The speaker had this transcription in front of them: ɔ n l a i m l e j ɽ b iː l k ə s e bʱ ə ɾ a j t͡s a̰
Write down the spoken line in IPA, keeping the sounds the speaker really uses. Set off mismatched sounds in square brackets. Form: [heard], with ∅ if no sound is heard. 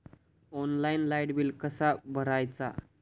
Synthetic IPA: ɔ n l a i [n] l [a] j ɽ b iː l k ə s [a] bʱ ə ɾ a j t͡s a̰